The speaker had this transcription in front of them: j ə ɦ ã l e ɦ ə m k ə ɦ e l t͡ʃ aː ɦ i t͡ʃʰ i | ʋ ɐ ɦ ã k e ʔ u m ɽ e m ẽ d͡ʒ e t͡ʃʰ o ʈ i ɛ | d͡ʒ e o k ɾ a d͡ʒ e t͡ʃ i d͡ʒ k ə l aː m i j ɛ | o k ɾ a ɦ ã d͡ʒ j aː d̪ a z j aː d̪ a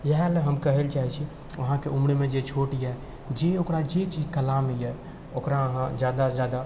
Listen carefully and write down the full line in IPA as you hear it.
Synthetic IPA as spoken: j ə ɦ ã l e ɦ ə m k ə ɦ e l t͡ʃ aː ɦ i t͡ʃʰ i | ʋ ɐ ɦ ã k e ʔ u m ɽ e m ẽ d͡ʒ e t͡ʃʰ o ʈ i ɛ | d͡ʒ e o k ɾ a d͡ʒ e t͡ʃ i d͡ʒ k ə l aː m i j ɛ | o k ɾ a ɦ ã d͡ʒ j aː d̪ a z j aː d̪ a